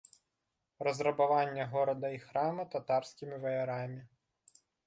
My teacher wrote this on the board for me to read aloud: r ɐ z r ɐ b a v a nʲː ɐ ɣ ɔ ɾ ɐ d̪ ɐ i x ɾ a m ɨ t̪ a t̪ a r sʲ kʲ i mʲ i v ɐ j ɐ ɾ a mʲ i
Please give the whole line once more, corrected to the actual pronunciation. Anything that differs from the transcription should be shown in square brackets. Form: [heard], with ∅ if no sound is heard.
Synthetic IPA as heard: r ɐ z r ɐ b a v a nʲː ɐ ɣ ɔ ɾ ɐ d̪ ɐ i x ɾ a m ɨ t̪ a t̪ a r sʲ kʲ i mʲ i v ɐ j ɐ ɾ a mʲ i